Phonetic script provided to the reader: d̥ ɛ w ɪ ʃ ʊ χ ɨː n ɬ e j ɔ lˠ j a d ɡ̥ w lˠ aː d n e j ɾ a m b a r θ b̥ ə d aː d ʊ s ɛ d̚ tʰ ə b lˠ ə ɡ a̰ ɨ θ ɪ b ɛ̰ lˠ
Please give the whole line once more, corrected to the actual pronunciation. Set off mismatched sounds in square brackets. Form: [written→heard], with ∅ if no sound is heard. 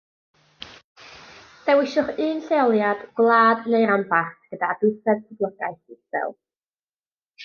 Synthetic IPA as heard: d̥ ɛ w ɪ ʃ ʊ χ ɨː n ɬ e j ɔ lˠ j a d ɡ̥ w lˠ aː d n e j ɾ a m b a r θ [b̥→ɡ̥] ə d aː d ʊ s ɛ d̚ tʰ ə b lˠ ə ɡ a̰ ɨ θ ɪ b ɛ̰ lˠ